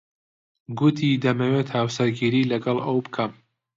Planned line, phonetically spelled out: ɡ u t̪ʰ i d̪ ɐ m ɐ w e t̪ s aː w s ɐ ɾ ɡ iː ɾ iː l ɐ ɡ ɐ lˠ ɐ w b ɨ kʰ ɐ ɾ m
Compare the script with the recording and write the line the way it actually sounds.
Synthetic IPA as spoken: ɡ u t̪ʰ i d̪ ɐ m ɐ w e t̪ h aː w s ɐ ɾ ɡ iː ɾ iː l ɐ ɡ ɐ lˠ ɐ w b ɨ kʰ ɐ m